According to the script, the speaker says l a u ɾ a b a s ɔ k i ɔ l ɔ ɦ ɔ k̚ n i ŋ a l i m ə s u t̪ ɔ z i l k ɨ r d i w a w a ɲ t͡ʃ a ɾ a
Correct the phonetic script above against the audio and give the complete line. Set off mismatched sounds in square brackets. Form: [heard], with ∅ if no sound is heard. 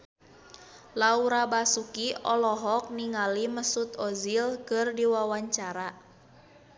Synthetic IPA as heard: l a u ɾ a b a s [u] k i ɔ l ɔ ɦ ɔ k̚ n i ŋ a l i m ə s u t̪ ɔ z i l k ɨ r d i w a w a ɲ t͡ʃ a ɾ a